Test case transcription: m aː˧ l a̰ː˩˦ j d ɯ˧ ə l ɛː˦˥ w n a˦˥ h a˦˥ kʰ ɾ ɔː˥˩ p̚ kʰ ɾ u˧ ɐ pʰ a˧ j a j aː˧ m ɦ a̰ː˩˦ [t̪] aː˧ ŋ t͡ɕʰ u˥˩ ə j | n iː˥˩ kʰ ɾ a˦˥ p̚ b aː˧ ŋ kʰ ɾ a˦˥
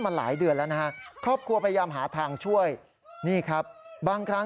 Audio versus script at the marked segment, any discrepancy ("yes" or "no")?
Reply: yes